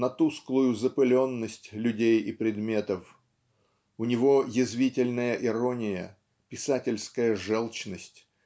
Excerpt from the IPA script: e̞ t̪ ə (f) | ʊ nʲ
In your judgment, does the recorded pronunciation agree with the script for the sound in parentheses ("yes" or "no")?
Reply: yes